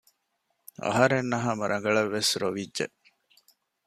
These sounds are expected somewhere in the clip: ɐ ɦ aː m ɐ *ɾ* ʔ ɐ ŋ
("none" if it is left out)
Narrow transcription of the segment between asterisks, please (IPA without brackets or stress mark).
ɾ